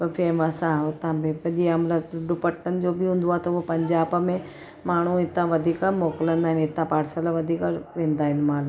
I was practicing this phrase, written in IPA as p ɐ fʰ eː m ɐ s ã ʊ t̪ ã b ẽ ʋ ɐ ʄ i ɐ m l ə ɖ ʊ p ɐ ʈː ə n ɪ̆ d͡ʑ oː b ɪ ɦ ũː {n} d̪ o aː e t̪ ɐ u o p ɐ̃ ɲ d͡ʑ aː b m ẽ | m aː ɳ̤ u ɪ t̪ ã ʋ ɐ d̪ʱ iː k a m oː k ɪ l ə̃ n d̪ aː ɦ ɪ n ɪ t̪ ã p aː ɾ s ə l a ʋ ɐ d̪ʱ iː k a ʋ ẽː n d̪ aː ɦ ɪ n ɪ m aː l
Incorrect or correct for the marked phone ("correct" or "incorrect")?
correct